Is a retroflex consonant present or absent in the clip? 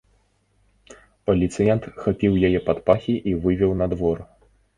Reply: absent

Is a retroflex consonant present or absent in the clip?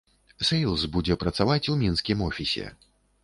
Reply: absent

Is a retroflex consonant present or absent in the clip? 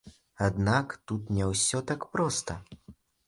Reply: absent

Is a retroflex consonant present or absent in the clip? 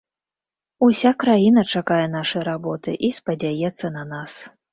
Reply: present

